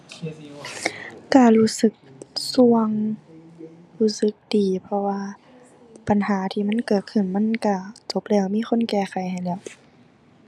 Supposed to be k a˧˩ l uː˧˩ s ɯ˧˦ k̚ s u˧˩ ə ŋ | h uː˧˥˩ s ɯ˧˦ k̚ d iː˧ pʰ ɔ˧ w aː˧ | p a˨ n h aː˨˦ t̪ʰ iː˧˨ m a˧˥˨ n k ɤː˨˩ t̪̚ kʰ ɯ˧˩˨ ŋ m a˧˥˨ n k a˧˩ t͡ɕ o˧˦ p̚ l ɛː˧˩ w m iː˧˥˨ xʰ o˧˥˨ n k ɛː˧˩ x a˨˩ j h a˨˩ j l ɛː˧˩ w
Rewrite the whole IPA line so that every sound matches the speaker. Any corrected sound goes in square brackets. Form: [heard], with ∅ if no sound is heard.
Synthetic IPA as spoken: k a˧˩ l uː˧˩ s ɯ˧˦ k̚ s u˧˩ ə ŋ | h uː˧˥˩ s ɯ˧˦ k̚ d [iː˨˩] pʰ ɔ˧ w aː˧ | p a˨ n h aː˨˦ t̪ʰ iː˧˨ m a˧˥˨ n k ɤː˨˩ t̪̚ kʰ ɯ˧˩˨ [n] m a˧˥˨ n k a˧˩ t͡ɕ o˧˦ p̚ l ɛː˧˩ w m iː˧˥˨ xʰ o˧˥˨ n k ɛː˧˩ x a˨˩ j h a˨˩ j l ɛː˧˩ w

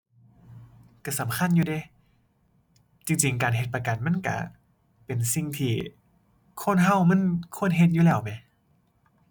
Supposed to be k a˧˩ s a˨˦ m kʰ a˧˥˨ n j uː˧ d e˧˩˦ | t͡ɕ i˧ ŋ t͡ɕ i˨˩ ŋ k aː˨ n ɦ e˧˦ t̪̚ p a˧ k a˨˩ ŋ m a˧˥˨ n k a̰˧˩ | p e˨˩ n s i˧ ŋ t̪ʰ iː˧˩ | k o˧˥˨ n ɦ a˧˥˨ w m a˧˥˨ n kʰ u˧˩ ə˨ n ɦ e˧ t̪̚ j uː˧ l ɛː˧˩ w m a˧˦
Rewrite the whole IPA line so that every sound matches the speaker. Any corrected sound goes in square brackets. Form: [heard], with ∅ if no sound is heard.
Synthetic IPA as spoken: k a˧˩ s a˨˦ m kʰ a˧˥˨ n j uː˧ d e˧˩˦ | t͡ɕ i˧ ŋ t͡ɕ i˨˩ ŋ k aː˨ n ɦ e˧˦ t̪̚ p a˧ k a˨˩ [n] m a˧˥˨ n k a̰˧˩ | p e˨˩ n s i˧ ŋ t̪ʰ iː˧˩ | [kʰ] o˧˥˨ n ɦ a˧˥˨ w m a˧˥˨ n kʰ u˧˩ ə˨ n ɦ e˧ t̪̚ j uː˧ l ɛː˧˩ w m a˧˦

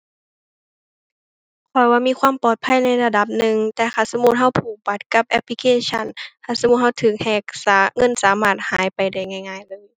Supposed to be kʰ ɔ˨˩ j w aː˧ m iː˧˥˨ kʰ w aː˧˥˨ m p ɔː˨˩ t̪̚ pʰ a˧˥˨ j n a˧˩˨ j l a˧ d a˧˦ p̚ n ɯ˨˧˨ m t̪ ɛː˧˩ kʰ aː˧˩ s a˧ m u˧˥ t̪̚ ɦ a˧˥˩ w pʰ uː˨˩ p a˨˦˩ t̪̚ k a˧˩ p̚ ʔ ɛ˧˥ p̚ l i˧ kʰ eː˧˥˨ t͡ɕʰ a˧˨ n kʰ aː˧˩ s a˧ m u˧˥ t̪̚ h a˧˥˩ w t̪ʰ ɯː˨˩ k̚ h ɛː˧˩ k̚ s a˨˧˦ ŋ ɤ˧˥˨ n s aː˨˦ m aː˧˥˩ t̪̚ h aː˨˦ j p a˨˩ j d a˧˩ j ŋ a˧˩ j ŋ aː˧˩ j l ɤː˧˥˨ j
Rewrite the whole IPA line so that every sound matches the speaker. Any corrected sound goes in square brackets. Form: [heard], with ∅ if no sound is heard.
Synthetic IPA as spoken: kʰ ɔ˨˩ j w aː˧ m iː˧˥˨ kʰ w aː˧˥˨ m p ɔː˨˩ t̪̚ pʰ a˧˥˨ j n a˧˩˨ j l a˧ d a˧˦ p̚ n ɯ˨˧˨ [ŋ] t̪ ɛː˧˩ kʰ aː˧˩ s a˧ m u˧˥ t̪̚ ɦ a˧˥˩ w pʰ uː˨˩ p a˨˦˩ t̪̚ k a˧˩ p̚ ʔ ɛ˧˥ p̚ l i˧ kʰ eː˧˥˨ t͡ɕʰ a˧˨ n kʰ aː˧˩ s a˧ m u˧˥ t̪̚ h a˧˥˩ w t̪ʰ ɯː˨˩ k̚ h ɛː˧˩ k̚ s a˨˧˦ ŋ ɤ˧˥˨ n s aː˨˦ m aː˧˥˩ t̪̚ h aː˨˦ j p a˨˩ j d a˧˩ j ŋ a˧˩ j ŋ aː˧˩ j l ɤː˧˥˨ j

